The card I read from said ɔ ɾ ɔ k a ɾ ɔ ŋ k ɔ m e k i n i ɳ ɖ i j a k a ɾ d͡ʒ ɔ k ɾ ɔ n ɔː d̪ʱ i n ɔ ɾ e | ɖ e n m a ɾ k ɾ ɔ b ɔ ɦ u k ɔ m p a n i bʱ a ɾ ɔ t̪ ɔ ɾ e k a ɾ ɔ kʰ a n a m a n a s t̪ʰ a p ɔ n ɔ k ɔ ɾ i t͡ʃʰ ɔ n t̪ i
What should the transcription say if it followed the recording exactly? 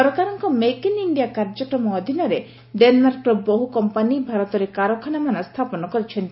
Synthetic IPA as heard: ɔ ɾ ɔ k a ɾ ɔ ŋ k ɔ m e k i n i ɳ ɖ i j a k a ɾ d͡ʒ ɔ k ɾ ɔ m ɔː d̪ʱ i n ɔ ɾ e | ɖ e n m a ɾ k ɾ ɔ b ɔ ɦ u k ɔ m p a n i bʱ a ɾ ɔ t̪ ɔ ɾ e k a ɾ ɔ kʰ a n a m a n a s t̪ʰ a p ɔ n ɔ k ɔ ɾ i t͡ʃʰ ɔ n t̪ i